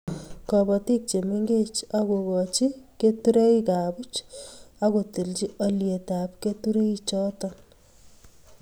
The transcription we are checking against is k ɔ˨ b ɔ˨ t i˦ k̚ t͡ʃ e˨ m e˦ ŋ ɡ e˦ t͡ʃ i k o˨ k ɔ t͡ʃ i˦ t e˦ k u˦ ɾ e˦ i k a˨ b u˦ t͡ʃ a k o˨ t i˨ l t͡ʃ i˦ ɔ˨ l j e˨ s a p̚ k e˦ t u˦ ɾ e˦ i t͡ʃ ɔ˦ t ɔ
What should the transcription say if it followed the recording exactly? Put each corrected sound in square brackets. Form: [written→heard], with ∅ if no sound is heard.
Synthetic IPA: k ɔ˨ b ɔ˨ t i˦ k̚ t͡ʃ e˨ m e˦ ŋ ɡ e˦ t͡ʃ [i→a] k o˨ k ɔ t͡ʃ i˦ [t→k] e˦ [k→t] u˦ ɾ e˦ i k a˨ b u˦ t͡ʃ a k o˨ t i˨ l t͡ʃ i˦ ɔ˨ l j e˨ [s→t] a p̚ k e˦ t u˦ ɾ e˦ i t͡ʃ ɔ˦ t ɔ